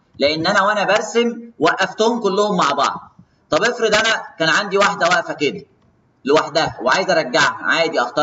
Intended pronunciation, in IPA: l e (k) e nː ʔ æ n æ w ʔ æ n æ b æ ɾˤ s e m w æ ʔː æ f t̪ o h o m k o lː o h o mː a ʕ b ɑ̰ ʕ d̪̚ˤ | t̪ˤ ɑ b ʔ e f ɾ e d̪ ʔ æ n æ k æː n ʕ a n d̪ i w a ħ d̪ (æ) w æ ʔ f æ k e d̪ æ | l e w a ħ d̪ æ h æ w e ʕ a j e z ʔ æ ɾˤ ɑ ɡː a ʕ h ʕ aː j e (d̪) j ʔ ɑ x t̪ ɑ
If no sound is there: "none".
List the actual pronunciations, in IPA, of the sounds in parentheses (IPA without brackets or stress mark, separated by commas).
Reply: ʔ, æ, d̪